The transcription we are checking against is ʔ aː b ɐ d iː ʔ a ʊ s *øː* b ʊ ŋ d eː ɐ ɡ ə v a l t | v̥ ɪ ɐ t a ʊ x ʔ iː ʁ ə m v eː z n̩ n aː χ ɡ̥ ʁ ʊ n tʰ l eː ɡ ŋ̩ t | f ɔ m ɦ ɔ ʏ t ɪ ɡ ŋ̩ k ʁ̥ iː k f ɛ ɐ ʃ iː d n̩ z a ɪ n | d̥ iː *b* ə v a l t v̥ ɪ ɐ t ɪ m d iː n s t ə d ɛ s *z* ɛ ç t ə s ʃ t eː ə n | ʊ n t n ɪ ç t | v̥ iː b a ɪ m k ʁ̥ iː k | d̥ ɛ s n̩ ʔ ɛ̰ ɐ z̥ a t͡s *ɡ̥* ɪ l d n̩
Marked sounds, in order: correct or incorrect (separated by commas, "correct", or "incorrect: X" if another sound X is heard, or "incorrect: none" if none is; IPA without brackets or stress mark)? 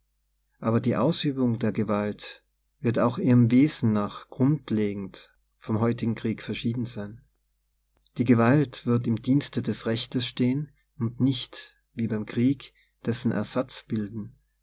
incorrect: yː, incorrect: ɡ, incorrect: ʁ, incorrect: b̥